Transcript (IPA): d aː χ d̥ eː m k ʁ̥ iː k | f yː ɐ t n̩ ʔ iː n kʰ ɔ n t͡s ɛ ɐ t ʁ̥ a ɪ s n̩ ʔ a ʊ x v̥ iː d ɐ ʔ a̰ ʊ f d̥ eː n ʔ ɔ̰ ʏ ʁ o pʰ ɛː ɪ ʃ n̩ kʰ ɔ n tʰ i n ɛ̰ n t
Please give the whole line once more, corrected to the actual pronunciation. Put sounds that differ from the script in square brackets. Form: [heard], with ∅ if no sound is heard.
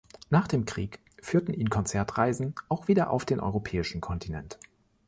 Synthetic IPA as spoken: [n] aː χ d̥ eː m k ʁ̥ iː k | f yː ɐ t n̩ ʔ iː n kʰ ɔ n t͡s ɛ ɐ t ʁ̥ a ɪ [z] n̩ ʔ a ʊ x v̥ iː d ɐ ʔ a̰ ʊ f d̥ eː n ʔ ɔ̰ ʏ ʁ o pʰ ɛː ɪ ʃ n̩ kʰ ɔ n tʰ i n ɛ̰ n t